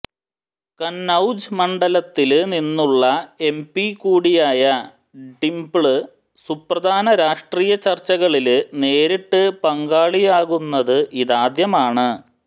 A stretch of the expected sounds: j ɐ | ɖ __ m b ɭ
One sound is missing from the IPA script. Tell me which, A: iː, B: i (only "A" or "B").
B